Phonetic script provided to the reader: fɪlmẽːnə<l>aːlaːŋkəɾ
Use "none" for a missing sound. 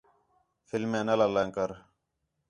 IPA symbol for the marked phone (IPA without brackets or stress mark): l